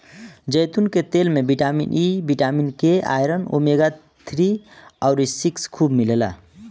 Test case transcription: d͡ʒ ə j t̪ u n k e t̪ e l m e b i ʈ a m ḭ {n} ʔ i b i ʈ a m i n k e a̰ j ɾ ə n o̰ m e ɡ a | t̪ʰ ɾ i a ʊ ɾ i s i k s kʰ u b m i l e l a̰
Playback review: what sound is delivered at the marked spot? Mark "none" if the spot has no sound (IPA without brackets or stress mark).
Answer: n